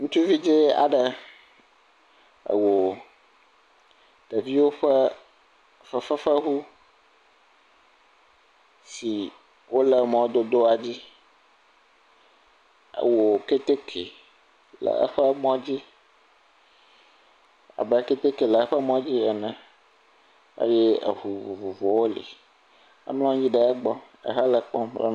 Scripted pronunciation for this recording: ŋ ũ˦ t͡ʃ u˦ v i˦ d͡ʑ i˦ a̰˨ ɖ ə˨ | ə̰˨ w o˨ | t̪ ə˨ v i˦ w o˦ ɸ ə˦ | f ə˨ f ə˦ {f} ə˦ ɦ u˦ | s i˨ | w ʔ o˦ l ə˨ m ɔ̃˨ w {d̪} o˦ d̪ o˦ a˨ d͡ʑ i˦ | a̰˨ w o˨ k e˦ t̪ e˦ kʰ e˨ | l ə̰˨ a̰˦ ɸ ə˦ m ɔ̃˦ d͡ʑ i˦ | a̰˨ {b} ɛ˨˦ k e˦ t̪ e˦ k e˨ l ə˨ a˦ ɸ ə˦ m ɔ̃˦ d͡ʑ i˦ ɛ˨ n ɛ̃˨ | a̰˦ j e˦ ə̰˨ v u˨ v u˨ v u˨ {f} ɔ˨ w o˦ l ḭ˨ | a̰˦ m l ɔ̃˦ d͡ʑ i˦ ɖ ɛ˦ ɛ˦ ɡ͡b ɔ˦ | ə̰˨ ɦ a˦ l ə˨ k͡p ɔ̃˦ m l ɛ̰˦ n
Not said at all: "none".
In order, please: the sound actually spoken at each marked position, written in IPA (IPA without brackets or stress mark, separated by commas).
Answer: f, d̪, b, v